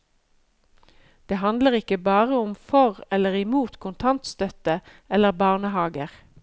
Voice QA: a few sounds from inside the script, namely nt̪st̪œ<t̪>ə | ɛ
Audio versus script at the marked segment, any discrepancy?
no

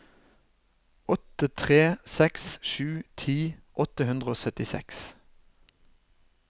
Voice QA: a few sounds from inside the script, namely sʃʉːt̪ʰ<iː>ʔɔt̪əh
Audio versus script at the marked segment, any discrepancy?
no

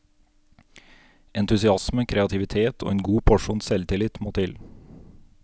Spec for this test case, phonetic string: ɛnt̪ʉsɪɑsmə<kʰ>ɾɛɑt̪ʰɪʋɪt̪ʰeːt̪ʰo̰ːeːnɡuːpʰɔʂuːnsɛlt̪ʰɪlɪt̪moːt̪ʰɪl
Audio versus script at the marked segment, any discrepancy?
no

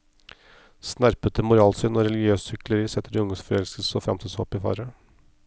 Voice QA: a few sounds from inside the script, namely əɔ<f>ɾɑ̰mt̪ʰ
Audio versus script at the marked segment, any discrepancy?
no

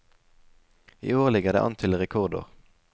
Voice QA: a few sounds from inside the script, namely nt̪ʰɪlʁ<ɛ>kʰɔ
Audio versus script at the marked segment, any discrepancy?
no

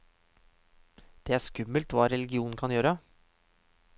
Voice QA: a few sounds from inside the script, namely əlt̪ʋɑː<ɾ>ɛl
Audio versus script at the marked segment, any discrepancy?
no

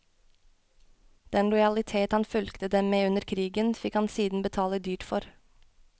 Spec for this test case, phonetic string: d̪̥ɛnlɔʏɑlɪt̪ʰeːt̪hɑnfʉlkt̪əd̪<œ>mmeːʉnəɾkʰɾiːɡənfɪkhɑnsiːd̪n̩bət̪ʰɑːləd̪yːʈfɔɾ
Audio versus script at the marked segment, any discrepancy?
yes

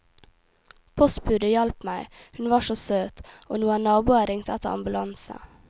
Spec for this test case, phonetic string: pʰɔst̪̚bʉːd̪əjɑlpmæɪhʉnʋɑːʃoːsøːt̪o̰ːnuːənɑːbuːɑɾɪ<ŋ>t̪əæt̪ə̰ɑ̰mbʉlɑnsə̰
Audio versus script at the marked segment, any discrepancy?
no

